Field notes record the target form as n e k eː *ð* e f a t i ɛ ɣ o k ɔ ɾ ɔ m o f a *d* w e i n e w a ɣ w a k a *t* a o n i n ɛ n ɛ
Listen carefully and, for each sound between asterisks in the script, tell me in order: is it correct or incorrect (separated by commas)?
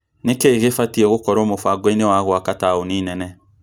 incorrect, incorrect, correct